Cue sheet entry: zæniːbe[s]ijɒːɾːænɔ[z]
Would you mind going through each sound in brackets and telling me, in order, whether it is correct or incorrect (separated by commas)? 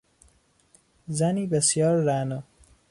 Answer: correct, incorrect